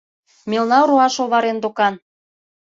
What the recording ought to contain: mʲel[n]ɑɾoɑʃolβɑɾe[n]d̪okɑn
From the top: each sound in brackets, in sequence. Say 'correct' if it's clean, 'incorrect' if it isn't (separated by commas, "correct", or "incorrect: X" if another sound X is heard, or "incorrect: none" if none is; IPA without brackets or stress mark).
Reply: correct, correct